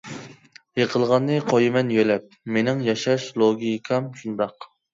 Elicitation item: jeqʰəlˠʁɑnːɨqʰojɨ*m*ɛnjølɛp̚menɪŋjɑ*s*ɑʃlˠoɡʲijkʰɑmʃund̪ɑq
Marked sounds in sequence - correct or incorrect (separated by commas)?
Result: correct, incorrect